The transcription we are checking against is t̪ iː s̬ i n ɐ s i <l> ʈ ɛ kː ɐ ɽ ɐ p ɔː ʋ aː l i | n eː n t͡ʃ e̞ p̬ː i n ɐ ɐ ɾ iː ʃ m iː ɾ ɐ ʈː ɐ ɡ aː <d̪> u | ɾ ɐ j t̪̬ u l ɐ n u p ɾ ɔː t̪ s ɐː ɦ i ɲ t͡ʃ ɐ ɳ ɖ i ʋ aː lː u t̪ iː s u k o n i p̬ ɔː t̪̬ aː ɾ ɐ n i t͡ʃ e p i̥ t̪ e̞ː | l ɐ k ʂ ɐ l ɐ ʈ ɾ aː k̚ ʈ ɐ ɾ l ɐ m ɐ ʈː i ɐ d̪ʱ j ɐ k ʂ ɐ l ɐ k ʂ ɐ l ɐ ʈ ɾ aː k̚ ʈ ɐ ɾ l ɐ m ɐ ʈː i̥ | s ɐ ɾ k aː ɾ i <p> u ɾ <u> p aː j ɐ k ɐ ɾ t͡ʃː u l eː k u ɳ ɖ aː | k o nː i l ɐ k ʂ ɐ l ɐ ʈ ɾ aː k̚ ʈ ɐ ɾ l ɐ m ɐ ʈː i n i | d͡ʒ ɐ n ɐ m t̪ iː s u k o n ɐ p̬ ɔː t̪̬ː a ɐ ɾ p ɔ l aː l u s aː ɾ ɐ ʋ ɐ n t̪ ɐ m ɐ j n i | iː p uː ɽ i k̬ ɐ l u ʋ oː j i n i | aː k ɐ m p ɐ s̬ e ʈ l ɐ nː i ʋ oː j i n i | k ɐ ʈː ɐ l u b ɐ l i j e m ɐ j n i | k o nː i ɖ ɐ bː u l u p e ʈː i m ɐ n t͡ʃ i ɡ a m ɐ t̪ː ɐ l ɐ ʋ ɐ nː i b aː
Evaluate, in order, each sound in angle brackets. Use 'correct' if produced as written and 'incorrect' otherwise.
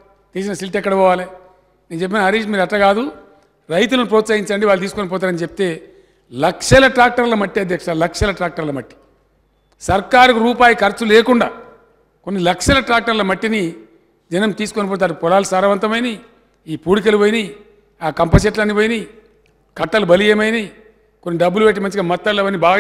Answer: correct, correct, incorrect: k, incorrect: uː

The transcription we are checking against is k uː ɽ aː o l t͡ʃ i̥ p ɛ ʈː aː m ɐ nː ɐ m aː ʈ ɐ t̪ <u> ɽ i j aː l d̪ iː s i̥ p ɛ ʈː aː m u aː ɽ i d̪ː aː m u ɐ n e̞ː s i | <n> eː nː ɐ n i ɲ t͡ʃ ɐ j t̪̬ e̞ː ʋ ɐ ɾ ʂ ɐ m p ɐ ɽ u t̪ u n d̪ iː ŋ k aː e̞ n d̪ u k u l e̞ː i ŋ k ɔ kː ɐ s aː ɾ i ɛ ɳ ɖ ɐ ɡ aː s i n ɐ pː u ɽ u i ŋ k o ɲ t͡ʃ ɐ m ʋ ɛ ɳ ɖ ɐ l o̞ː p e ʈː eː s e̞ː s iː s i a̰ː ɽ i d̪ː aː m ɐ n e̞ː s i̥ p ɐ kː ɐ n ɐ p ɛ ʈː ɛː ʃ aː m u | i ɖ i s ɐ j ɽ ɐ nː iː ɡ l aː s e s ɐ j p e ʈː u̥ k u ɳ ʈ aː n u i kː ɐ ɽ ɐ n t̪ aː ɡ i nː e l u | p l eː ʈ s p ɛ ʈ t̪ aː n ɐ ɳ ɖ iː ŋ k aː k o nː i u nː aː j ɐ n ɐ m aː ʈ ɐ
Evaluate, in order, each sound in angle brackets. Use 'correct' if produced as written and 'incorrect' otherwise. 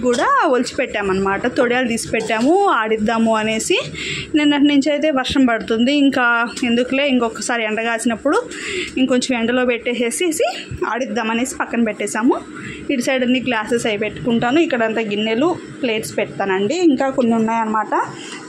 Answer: incorrect: o, correct

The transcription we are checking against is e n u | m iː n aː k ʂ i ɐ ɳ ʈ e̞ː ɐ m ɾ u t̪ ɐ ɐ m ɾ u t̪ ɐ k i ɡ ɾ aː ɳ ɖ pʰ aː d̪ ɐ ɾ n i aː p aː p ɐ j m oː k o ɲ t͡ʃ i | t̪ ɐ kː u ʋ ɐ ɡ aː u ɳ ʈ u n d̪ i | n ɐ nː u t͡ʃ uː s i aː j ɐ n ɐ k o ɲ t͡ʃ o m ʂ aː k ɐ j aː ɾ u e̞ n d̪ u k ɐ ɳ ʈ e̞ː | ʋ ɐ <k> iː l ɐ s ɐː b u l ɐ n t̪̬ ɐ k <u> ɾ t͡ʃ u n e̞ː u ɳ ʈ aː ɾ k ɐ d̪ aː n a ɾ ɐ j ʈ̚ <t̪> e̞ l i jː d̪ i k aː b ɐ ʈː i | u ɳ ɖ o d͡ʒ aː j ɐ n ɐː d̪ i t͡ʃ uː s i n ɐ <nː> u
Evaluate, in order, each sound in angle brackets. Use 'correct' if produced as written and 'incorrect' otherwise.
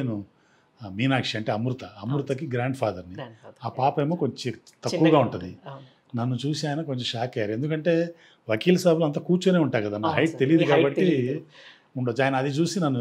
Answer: correct, incorrect: uː, correct, correct

